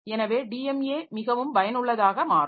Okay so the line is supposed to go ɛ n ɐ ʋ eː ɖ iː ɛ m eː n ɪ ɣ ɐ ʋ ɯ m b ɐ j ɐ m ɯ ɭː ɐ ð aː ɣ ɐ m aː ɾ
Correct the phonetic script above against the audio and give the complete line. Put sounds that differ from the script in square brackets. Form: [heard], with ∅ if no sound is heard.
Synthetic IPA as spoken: ɛ n ɐ ʋ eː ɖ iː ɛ m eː [m] ɪ ɣ ɐ ʋ ɯ m b ɐ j ɐ [n] ɯ ɭː ɐ ð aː ɣ ɐ m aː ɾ